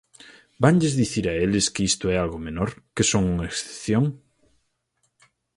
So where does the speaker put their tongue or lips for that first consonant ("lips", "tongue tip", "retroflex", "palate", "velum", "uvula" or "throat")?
lips